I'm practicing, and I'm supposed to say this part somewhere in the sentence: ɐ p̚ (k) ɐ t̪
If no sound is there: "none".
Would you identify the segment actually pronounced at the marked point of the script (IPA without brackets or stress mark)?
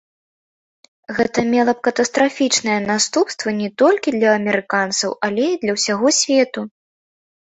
k